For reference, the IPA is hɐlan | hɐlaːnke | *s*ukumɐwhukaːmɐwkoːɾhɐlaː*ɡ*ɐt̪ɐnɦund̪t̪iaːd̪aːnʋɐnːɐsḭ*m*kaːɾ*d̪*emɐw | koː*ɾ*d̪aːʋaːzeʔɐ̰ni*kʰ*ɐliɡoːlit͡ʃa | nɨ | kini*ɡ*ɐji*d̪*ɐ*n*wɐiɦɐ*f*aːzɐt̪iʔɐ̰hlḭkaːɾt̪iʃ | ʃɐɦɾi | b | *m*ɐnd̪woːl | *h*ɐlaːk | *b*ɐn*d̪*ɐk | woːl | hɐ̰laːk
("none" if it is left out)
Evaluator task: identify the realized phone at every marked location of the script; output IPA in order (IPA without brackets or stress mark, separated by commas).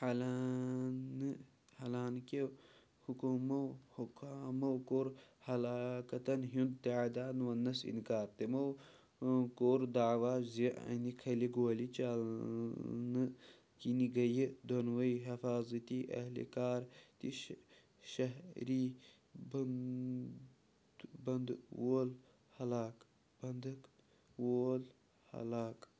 h, k, n, t̪, ɾ, kʰ, ɡ, d̪, n, f, b, h, b, d̪